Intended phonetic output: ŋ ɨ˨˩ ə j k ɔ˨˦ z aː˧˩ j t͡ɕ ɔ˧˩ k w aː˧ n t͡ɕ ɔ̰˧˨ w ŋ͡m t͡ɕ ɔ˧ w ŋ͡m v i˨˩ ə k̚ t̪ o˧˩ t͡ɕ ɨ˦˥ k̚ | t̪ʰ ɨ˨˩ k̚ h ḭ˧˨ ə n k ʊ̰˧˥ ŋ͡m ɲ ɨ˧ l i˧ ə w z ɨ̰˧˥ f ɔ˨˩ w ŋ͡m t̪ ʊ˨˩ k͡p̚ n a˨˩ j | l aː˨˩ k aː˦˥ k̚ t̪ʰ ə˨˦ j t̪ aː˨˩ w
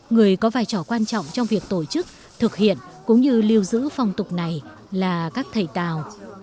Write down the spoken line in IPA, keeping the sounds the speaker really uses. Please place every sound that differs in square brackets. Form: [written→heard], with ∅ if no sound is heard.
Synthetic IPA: ŋ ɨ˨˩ ə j k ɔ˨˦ [z→v] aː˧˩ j t͡ɕ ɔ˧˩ k w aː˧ n t͡ɕ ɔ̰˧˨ w ŋ͡m t͡ɕ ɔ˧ w ŋ͡m v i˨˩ ə k̚ t̪ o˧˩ t͡ɕ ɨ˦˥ k̚ | t̪ʰ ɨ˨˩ k̚ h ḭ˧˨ ə n k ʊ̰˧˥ ŋ͡m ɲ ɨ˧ l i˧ ə w z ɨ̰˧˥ f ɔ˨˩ w ŋ͡m t̪ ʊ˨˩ k͡p̚ n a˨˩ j | l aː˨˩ k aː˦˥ k̚ t̪ʰ [ə˨˦→ə˨˩] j t̪ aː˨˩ w